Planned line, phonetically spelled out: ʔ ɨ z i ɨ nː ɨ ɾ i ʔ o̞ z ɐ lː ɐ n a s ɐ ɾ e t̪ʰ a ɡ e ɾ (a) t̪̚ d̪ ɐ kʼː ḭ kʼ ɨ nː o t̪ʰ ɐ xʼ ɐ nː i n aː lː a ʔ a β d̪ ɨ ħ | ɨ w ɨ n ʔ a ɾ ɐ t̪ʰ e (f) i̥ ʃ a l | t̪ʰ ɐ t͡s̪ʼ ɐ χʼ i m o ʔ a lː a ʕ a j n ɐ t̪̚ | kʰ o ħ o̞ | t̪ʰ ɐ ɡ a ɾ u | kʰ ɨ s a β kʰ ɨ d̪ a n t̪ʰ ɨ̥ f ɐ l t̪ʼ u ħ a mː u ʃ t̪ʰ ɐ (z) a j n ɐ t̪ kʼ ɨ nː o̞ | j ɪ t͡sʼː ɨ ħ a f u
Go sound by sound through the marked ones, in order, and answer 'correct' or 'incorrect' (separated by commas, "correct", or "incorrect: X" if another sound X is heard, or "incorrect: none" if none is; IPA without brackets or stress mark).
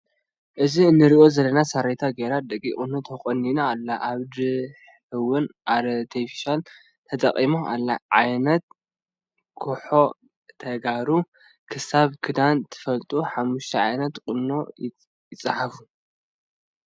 correct, correct, incorrect: ʕ